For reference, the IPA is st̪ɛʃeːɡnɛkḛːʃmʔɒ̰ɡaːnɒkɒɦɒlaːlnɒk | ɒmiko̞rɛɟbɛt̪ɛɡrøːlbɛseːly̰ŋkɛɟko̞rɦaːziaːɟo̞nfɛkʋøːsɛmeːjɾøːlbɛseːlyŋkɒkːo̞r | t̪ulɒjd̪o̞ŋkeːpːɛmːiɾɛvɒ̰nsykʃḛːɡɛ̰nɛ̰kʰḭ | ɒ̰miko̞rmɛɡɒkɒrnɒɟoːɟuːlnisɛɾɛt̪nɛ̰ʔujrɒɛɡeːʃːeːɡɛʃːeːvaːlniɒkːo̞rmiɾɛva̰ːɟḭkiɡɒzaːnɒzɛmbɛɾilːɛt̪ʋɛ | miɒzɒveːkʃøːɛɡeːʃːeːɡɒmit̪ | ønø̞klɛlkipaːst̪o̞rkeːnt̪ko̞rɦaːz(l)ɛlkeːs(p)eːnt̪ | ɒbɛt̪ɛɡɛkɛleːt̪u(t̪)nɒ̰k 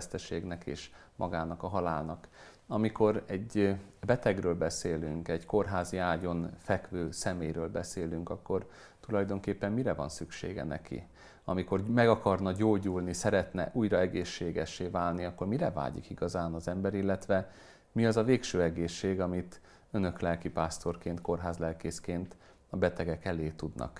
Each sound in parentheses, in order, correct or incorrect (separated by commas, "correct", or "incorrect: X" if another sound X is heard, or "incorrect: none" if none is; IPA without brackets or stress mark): correct, incorrect: k, incorrect: d̪